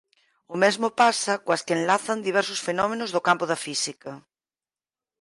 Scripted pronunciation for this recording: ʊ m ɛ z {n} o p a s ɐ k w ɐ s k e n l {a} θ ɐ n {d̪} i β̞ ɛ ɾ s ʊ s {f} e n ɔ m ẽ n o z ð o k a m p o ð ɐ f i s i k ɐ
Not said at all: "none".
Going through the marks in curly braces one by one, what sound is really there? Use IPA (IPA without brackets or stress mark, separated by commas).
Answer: m, a, d̪, f